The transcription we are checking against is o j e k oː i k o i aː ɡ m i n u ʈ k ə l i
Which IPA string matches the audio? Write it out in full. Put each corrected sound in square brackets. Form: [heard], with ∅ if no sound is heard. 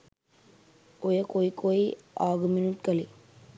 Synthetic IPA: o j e k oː i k o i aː ɡ m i n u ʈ k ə l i